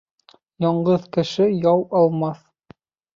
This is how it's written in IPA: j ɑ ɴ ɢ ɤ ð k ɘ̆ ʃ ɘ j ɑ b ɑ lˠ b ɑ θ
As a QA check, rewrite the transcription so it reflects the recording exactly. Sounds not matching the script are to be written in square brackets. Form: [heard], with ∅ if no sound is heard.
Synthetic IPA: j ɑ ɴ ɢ ɤ ð k ɘ̆ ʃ ɘ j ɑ [w] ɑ lˠ [m] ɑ θ